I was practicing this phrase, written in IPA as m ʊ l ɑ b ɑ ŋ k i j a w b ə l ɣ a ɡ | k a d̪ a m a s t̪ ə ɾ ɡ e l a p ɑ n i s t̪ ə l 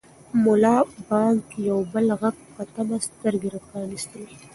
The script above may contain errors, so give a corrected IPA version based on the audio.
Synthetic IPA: m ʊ l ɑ b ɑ ŋ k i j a w b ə l ɣ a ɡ | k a t̪ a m a s t̪ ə ɾ ɡ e ɾ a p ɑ n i s t̪ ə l